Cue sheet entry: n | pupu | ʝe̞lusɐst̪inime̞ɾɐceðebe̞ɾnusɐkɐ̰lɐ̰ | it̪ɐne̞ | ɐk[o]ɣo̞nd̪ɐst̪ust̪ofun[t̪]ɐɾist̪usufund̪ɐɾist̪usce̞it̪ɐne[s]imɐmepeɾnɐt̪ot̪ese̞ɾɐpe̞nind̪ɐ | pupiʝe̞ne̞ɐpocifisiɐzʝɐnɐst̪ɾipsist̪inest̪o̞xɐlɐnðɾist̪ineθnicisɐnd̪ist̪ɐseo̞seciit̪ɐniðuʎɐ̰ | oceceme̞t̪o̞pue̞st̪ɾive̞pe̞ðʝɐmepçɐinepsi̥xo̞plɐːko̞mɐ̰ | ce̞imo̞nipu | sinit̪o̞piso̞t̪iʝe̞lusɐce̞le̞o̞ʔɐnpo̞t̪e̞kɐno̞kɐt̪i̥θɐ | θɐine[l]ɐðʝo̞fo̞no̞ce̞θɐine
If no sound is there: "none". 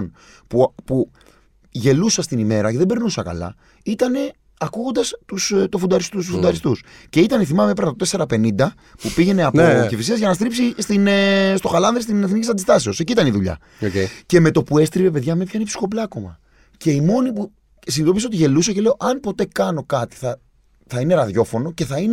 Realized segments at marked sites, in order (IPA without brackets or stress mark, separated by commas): u, d̪, θ, ɾ